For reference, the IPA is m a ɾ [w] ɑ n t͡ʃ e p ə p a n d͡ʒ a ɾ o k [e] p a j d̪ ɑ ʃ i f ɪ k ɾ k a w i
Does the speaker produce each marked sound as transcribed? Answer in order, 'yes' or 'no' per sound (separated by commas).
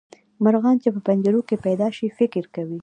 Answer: no, yes